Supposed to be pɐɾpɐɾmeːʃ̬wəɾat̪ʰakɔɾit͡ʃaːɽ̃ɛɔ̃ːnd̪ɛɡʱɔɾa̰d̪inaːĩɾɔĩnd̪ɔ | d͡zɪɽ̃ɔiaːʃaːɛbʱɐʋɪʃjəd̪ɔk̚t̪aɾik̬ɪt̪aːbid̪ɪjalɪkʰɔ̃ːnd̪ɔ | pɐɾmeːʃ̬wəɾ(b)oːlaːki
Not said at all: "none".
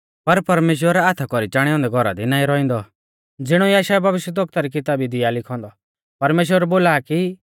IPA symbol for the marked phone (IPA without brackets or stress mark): b